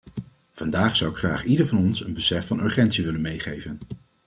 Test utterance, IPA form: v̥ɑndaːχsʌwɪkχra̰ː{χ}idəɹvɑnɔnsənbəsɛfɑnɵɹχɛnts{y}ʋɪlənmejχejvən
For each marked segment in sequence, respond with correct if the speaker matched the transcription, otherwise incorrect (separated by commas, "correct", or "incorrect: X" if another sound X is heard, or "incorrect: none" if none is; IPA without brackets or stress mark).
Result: correct, incorrect: i